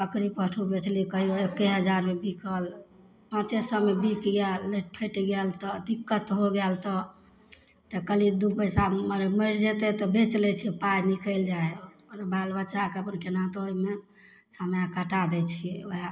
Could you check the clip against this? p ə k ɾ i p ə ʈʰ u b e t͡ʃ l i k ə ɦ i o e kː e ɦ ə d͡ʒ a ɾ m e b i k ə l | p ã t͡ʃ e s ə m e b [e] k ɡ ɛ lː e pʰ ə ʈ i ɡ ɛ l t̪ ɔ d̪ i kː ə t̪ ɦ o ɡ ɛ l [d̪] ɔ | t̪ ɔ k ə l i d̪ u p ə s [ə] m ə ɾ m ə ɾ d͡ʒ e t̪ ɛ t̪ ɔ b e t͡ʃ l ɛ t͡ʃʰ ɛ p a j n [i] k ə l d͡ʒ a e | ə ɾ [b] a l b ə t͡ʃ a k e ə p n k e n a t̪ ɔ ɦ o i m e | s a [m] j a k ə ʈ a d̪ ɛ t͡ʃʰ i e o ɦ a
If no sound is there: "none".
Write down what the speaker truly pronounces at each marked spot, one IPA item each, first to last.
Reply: i, t̪, a, i, b, m

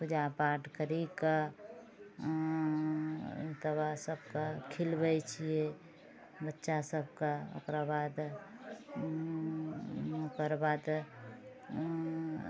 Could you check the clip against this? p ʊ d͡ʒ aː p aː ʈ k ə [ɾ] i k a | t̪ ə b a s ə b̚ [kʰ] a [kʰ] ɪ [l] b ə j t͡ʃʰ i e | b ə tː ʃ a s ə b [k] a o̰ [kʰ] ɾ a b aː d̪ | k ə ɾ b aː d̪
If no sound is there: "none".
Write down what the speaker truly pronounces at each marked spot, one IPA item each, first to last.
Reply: ɾ, k, kʰ, l, k, k

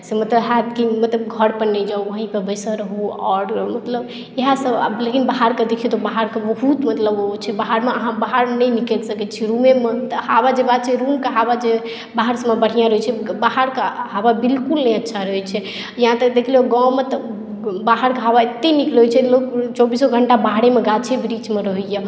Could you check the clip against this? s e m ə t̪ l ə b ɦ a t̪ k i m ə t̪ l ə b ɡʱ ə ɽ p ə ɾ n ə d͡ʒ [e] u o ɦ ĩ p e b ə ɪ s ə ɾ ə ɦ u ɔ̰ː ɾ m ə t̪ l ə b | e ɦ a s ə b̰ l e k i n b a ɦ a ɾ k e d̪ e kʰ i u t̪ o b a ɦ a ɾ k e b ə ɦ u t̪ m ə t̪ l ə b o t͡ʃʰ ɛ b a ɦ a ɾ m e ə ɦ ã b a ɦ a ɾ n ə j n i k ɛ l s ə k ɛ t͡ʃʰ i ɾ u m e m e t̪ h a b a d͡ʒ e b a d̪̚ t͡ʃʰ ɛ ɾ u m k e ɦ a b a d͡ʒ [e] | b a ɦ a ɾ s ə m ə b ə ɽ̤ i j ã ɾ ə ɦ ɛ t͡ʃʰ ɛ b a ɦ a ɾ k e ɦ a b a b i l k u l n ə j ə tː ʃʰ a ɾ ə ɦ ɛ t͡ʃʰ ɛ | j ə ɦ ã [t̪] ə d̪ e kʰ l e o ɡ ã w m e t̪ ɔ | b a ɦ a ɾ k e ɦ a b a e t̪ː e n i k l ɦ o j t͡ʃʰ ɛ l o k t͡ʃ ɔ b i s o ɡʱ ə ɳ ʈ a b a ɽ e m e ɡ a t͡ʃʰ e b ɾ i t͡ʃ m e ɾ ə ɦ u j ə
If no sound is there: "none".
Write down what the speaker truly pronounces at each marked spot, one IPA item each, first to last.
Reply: a, e, t̪

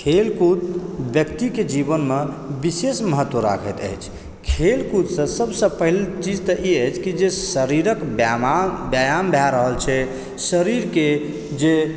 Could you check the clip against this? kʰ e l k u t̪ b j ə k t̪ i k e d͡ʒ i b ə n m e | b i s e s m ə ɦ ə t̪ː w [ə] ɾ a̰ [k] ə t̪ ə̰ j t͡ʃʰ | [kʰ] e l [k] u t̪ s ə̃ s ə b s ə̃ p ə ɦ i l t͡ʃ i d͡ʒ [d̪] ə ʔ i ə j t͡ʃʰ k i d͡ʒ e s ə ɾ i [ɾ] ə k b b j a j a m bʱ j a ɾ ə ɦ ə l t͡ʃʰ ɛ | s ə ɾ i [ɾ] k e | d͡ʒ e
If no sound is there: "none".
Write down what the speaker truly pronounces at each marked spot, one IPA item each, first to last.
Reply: ə, kʰ, kʰ, k, t̪, ɾ, ɾ

